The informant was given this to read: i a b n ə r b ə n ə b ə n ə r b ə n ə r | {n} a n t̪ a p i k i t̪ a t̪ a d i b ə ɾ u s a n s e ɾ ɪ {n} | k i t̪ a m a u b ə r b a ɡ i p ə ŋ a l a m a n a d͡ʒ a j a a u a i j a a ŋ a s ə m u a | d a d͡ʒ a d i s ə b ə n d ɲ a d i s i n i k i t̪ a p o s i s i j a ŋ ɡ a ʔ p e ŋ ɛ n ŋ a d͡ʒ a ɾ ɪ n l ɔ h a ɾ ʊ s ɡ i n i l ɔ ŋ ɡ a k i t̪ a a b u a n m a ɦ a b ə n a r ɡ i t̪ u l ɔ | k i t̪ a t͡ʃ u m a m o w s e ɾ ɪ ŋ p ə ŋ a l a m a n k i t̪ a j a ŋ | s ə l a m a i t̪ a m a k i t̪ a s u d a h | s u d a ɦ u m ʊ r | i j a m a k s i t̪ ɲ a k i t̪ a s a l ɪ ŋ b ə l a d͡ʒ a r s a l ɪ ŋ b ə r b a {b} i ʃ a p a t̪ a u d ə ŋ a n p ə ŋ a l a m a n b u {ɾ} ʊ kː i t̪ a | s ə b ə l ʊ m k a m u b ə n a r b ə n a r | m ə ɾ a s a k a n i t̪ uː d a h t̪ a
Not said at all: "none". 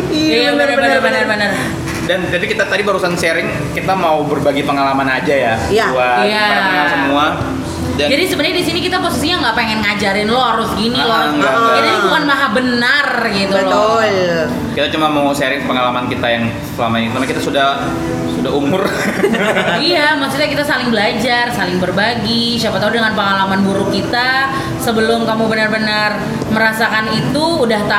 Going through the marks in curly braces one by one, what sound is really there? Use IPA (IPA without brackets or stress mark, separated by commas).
d, ŋ, ɡ, ɾ